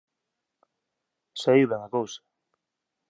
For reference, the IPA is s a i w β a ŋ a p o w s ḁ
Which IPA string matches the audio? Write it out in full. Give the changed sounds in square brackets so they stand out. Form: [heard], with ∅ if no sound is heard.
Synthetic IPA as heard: s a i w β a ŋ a [k] o w s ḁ